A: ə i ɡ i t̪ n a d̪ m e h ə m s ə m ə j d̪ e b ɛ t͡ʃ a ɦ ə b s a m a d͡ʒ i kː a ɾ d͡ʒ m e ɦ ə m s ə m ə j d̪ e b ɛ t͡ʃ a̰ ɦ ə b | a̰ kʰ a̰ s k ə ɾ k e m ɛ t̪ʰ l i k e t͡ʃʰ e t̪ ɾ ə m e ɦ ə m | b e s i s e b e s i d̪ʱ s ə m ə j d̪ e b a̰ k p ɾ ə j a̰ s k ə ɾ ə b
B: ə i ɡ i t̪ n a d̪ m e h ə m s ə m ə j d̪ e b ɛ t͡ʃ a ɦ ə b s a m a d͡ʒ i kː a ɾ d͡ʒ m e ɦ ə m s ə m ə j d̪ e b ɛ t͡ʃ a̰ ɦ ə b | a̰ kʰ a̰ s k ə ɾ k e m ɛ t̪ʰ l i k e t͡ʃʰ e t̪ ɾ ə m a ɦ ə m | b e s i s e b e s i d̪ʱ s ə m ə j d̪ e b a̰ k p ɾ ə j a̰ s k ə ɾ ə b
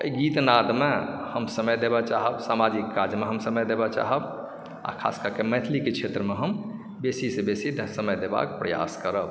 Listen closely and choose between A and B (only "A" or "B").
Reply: A